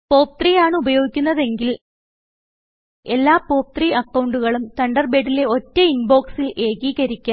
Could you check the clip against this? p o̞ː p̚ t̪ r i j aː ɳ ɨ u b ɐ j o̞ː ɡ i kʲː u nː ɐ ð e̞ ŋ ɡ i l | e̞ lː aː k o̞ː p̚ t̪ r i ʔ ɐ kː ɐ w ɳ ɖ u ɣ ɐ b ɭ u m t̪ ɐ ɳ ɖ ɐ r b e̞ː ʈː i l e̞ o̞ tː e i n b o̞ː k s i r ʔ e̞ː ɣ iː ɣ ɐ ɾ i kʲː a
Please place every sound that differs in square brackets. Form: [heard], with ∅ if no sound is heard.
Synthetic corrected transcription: p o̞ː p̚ t̪ r i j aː ɳ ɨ u b ɐ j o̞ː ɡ i kʲː u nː ɐ ð e̞ ŋ ɡ i l | e̞ lː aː [p] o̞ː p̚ t̪ r i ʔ ɐ kː ɐ w ɳ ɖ u ɣ ɐ [∅] ɭ u m t̪ ɐ ɳ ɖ ɐ r b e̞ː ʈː i l e̞ o̞ tː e i n b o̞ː k s i [l] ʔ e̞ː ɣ iː ɣ ɐ ɾ i kʲː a

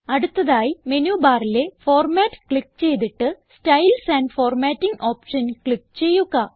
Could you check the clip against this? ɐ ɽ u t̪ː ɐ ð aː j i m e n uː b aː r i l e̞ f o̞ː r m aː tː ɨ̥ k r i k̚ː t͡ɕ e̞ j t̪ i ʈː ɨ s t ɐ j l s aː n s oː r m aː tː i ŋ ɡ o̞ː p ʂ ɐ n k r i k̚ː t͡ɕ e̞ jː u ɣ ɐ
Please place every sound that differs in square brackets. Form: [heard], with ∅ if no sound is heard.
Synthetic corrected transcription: ɐ ɽ u t̪ː ɐ ð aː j i m e n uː b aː r i l e̞ f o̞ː r m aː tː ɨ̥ k [ɭ] i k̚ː t͡ɕ e̞ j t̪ i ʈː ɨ s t ɐ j l s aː n [f] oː r m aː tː i ŋ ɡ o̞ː p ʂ ɐ n k [ɭ] i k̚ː t͡ɕ e̞ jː u ɣ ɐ

